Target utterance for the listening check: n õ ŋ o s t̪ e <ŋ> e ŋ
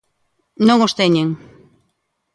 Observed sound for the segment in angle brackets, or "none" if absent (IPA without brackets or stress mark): ɲ